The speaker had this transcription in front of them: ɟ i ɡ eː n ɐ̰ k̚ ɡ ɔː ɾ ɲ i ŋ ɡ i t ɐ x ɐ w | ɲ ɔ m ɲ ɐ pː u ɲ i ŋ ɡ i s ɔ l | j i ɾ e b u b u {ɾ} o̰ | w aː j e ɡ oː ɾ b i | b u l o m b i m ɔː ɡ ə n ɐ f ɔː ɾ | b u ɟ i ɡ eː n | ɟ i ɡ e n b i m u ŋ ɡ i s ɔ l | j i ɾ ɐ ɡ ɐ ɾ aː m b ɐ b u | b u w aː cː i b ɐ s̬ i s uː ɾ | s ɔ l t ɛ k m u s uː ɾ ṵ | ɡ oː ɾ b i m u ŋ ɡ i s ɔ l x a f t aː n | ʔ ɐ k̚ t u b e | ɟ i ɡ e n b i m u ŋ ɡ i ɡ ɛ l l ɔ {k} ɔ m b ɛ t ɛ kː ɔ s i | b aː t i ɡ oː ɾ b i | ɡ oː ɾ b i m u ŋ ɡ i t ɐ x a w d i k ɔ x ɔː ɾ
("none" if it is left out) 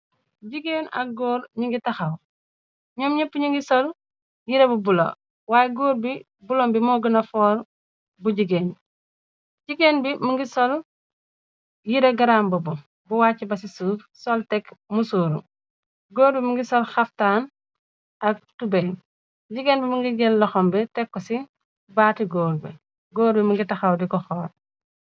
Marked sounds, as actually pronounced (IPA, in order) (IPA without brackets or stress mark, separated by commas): l, x